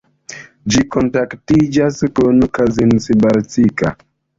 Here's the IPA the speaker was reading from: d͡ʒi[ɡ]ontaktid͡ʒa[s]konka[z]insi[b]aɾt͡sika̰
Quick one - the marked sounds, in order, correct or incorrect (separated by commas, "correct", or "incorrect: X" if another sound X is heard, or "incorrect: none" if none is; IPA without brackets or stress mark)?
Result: incorrect: k, correct, correct, correct